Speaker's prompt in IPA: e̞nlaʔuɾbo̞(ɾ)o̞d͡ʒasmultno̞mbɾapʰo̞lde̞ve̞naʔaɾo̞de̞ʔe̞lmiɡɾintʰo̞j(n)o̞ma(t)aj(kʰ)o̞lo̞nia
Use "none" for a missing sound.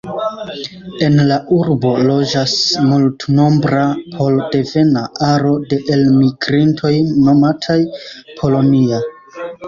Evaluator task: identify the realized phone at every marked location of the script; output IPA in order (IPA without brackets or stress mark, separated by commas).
l, n, tʰ, pʰ